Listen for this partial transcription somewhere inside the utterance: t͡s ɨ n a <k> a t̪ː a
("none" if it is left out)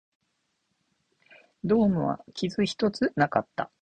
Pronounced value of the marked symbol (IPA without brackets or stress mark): k